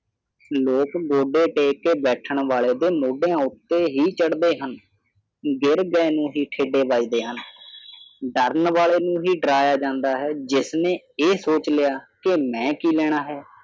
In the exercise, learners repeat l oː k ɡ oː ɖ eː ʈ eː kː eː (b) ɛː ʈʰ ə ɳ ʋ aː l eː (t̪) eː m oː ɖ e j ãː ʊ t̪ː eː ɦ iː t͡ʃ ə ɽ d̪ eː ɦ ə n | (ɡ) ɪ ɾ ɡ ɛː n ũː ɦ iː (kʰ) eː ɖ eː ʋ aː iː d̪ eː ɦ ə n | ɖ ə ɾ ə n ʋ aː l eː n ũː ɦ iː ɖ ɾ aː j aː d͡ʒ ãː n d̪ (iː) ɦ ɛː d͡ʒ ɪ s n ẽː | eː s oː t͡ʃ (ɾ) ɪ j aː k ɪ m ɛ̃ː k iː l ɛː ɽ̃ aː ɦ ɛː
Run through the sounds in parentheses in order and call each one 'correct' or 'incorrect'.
correct, incorrect: d̪, correct, incorrect: ʈʰ, incorrect: aː, incorrect: l

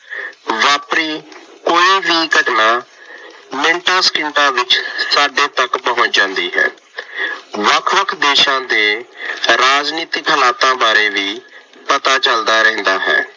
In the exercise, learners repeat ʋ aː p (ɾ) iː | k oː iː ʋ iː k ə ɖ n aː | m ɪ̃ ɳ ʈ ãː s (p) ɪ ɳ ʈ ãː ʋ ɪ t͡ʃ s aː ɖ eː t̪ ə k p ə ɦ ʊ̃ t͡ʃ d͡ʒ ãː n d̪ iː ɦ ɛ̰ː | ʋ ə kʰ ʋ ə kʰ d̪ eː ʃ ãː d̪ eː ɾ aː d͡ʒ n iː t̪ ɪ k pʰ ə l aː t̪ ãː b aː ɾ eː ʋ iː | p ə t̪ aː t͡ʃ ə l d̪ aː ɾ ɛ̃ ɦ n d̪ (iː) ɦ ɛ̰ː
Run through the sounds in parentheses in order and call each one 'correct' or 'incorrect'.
correct, incorrect: k, incorrect: aː

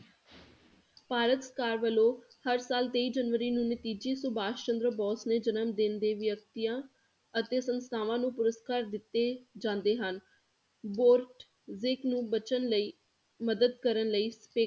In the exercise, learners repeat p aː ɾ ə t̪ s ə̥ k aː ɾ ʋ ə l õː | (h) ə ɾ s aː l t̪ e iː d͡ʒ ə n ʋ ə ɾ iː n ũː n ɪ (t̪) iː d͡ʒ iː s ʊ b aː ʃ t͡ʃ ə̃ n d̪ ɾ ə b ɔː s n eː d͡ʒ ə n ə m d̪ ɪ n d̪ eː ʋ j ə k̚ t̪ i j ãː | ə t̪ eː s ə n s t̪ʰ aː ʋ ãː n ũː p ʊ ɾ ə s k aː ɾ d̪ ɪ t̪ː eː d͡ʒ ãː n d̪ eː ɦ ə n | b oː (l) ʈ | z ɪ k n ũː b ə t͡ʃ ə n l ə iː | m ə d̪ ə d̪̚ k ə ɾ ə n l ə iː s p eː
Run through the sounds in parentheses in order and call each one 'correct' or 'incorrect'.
correct, correct, incorrect: ɾ

